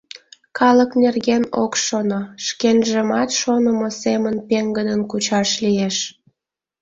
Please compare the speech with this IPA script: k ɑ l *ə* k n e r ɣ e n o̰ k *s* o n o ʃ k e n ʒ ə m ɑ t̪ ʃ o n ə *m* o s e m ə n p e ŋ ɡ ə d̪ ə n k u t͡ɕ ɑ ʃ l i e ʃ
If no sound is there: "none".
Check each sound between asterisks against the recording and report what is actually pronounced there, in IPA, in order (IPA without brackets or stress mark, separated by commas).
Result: ə, ʃ, m